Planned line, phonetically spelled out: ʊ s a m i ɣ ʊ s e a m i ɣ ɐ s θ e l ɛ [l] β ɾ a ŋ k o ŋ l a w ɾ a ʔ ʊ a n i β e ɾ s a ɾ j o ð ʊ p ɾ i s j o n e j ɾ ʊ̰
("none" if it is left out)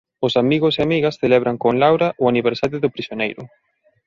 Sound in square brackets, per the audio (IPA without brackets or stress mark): none